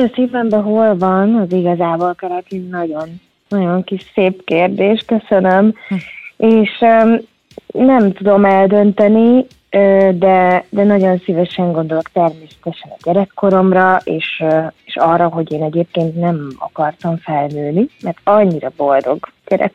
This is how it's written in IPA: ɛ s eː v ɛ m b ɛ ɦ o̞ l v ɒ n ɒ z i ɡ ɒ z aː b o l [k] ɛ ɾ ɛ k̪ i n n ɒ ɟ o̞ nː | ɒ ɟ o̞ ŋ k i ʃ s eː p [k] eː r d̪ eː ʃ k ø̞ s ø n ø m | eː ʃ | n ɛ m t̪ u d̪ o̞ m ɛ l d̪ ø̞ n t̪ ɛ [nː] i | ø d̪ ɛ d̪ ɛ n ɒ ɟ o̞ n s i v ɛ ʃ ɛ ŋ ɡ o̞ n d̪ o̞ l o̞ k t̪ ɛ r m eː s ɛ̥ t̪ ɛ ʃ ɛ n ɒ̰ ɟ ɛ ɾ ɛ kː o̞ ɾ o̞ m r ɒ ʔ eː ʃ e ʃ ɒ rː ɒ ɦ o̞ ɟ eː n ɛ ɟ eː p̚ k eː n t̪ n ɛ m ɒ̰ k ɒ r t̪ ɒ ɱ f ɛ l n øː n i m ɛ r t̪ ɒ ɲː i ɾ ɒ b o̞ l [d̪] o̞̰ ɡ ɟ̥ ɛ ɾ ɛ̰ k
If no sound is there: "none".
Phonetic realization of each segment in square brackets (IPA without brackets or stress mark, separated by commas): k, k, n, d̪